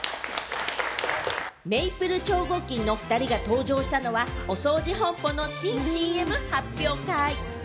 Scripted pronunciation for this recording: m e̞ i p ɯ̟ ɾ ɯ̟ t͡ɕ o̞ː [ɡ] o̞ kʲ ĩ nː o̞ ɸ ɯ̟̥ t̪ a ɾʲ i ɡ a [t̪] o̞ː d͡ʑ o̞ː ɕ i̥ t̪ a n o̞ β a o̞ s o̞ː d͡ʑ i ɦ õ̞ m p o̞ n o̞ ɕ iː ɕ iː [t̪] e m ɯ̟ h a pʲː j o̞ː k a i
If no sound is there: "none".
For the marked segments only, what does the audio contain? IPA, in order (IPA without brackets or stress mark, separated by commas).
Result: ɡ, t̪, none